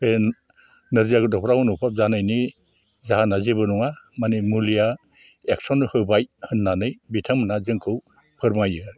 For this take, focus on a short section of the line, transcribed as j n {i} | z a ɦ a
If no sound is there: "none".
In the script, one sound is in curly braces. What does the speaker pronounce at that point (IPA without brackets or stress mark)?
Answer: i